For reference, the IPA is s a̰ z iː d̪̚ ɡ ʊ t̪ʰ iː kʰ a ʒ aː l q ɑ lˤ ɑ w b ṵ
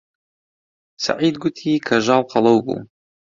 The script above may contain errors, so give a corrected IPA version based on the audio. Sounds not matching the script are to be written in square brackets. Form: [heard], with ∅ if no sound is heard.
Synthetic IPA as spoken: s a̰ [ʕ] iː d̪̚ ɡ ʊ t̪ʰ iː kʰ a ʒ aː l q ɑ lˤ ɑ w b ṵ